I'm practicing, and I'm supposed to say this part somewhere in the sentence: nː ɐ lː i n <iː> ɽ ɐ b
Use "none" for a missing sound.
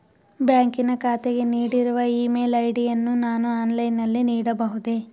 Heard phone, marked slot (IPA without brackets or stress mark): iː